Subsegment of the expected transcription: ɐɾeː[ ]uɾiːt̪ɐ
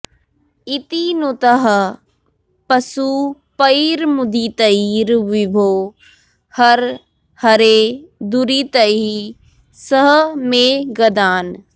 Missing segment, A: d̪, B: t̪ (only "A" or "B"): A